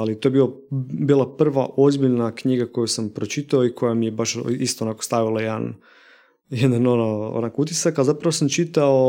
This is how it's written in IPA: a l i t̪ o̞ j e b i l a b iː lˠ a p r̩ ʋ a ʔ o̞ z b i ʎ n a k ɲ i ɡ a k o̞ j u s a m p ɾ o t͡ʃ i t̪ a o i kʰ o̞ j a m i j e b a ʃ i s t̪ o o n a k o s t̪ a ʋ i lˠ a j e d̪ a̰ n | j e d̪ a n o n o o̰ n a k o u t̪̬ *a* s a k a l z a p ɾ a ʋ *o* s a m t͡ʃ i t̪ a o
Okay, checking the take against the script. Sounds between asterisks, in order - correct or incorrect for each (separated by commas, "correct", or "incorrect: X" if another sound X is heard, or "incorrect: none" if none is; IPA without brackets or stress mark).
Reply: incorrect: i, correct